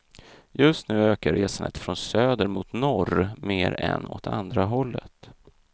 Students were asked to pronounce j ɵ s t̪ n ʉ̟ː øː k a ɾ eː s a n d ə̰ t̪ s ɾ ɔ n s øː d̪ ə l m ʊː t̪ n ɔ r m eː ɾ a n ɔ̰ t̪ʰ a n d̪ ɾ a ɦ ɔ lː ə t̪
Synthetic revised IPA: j ɵ s t̪ n ʉ̟ː øː k a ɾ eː s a n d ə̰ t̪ f ɾ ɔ n s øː d̪ ə ɾ m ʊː t̪ n ɔ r m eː ɾ ɛ n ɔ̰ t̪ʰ a n d̪ ɾ a ɦ ɔ lː ə t̪